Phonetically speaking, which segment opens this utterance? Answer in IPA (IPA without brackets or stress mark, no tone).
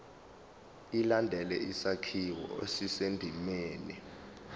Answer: i